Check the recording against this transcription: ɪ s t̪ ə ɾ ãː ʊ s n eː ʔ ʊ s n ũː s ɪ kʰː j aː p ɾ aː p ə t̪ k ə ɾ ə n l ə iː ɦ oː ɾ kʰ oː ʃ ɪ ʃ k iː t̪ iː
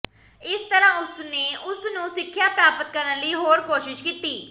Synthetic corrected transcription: ɪ s t̪ ə ɾ ãː ʊ s n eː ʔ ʊ s n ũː s ɪ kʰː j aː p ɾ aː p ə t̪ k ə ɾ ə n l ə iː ɦ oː ɾ k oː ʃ ɪ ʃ k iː t̪ iː